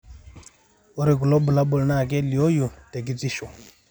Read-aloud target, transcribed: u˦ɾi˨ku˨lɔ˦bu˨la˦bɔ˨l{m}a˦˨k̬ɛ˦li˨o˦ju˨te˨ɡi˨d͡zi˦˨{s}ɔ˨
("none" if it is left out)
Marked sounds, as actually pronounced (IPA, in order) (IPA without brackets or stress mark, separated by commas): n, ʃ